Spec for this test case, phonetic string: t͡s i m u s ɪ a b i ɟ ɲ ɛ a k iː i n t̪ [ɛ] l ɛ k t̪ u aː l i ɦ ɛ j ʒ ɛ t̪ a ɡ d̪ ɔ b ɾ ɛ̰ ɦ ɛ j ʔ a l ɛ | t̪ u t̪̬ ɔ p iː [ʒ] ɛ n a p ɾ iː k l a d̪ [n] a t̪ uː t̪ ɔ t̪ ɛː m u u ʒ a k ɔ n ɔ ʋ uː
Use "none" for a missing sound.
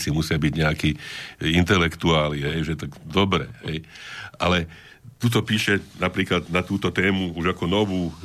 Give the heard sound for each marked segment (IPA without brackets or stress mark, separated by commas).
ɛ, ʃ, n